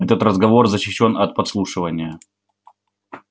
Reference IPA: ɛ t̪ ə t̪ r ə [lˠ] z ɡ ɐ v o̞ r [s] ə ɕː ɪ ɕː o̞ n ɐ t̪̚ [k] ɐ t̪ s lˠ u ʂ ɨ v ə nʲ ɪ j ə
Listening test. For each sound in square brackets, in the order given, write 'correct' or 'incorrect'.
incorrect, incorrect, incorrect

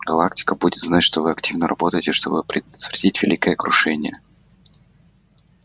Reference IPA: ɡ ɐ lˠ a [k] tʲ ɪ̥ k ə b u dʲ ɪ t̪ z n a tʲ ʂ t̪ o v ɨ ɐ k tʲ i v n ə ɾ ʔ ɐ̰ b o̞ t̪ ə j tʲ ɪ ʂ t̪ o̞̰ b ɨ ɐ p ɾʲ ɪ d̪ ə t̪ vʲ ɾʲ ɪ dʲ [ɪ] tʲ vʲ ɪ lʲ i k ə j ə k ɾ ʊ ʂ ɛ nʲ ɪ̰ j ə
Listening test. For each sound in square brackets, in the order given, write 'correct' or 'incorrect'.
correct, incorrect

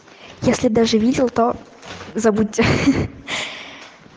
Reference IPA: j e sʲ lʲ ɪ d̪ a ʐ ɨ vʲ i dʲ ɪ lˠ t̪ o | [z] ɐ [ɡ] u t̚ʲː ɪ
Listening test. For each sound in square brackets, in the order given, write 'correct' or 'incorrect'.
correct, incorrect

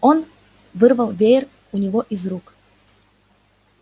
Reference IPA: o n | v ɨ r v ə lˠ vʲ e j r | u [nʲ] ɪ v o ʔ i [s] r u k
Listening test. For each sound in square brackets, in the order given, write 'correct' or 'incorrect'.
correct, incorrect

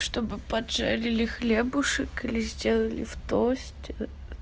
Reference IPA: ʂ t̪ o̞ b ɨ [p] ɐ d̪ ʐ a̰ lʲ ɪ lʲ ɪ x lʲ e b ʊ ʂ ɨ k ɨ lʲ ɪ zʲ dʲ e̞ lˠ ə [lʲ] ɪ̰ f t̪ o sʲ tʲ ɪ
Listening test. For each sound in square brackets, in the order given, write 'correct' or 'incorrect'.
correct, correct

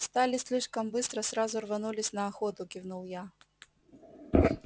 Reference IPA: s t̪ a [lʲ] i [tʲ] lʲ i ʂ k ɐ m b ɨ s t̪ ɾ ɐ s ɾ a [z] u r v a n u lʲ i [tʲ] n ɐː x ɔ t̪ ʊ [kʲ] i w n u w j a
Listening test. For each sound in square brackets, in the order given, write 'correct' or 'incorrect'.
correct, incorrect, correct, incorrect, correct

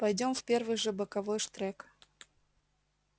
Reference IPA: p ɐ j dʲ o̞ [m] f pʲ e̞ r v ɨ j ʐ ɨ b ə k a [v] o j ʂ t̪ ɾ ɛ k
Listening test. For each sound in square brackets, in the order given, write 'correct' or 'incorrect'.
correct, correct

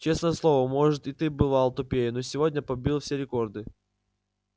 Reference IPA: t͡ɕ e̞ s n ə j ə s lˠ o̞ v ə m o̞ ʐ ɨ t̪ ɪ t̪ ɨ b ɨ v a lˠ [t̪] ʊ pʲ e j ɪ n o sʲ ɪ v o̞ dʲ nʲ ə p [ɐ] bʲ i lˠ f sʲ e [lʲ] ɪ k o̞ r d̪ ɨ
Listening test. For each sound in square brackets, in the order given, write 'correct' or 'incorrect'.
correct, correct, incorrect

